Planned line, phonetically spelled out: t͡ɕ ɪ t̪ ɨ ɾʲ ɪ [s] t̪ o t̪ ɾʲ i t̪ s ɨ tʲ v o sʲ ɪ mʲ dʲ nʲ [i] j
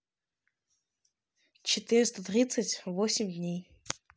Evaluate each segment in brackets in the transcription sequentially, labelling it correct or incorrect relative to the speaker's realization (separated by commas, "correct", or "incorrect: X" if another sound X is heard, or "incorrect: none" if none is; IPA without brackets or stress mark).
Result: correct, incorrect: e